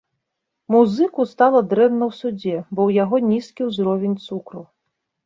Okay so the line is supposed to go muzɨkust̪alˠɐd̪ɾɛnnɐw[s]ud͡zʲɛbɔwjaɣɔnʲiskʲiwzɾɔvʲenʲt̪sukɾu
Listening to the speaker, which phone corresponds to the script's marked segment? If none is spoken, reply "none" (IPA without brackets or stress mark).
s